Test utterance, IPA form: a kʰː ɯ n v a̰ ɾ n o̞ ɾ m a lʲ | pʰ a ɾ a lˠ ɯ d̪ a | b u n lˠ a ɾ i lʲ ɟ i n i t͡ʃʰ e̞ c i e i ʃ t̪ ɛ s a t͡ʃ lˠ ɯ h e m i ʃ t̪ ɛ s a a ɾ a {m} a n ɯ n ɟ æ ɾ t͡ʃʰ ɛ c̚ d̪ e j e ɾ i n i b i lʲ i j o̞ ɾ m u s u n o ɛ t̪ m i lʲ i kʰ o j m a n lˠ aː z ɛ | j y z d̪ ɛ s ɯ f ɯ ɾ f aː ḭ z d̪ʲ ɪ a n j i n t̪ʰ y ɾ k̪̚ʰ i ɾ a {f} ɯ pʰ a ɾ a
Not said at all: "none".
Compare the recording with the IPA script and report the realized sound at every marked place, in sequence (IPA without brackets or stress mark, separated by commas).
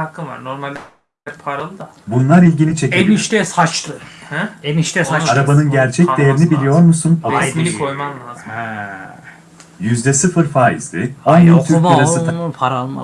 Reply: b, s